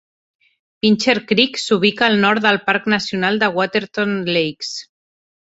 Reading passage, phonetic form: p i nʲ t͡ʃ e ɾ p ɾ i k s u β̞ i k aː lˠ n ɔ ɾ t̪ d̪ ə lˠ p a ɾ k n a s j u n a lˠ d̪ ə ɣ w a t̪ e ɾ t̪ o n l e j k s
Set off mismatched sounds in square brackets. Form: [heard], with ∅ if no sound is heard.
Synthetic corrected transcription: p i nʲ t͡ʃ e ɾ [k] ɾ i k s u β̞ i k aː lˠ n ɔ ɾ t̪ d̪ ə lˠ p a ɾ k n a s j u n a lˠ d̪ ə ɣ w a t̪ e ɾ t̪ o n l e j k s